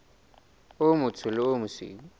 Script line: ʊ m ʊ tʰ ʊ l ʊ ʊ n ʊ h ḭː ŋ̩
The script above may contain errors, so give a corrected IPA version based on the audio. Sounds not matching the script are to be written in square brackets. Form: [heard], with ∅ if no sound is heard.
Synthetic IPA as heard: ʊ m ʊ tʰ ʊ l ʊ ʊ [m] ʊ [s] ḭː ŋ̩